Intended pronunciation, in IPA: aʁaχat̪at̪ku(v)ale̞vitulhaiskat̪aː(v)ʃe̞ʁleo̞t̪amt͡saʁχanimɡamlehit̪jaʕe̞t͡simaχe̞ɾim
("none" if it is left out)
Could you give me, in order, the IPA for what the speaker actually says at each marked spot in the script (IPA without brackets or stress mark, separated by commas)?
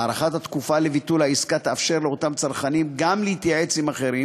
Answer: f, f